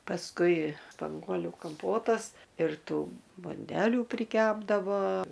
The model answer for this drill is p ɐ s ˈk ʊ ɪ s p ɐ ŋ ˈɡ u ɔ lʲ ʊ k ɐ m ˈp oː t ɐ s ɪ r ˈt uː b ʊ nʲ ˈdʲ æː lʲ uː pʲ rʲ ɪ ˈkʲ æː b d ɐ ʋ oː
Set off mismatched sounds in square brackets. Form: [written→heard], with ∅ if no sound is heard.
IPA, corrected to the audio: p ɐ s ˈk ʊ ɪ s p ɐ ŋ ˈɡ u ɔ lʲ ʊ k ɐ m ˈp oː t ɐ s ɪ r ˈt uː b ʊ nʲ ˈdʲ æː lʲ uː pʲ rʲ ɪ ˈkʲ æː b d ɐ ʋ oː